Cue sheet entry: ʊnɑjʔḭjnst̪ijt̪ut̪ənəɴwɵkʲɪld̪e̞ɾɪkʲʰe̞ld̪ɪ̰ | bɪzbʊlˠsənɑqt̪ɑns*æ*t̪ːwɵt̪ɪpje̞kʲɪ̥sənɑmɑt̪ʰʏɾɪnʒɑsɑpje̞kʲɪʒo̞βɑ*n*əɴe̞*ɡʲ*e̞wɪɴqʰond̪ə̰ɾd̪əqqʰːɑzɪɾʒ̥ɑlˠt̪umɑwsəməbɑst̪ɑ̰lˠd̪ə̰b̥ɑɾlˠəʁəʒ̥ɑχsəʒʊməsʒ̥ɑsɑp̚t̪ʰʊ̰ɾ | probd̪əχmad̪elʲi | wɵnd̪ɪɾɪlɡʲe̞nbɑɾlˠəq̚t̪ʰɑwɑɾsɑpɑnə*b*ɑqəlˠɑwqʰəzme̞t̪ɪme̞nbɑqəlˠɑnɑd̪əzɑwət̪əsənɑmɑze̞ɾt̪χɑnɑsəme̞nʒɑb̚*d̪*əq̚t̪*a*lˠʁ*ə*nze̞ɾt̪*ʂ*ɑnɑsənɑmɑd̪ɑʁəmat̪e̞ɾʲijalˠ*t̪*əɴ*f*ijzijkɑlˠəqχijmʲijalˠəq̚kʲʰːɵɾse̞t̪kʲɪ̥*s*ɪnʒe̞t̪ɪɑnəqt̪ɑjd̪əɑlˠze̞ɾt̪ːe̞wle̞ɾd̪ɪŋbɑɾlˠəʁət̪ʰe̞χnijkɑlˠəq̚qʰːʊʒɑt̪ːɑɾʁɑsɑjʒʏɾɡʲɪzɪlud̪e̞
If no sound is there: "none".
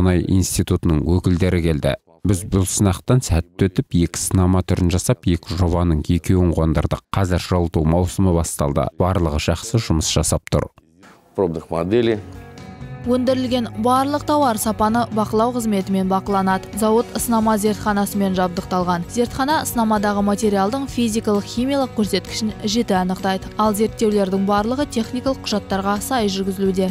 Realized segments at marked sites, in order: æ, n, kʲ, b, d̪, ɑ, ɑ, χ, d̪, f, ʃ

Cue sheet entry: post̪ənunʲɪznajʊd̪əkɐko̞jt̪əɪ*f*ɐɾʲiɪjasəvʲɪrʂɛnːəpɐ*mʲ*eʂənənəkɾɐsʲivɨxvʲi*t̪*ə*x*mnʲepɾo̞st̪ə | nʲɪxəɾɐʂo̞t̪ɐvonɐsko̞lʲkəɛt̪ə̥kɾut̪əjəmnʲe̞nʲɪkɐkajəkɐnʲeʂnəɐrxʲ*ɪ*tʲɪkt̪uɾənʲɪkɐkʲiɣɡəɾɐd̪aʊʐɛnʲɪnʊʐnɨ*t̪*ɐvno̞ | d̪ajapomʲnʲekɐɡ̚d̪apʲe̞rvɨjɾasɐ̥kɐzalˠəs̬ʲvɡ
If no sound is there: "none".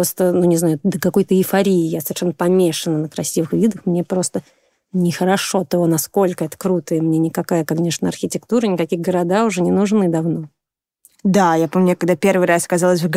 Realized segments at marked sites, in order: f, mʲ, d̪, x, ɪ, d̪

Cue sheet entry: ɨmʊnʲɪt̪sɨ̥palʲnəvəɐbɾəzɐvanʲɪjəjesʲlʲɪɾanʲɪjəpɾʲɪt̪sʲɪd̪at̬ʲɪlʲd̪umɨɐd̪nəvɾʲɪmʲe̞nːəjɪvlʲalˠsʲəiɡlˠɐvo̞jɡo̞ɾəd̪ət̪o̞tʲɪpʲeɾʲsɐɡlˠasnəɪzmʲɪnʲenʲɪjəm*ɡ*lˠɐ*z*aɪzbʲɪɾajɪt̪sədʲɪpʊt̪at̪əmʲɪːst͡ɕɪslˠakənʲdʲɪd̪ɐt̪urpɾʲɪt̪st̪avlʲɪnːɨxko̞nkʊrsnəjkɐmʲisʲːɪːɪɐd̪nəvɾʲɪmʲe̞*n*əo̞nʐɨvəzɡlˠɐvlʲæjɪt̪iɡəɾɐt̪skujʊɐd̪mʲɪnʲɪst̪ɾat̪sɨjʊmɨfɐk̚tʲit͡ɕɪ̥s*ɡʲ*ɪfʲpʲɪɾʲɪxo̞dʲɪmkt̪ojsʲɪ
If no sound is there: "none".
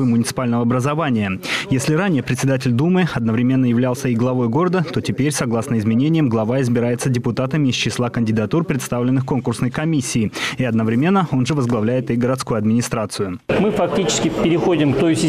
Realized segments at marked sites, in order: ɡ, v, nː, kʲ

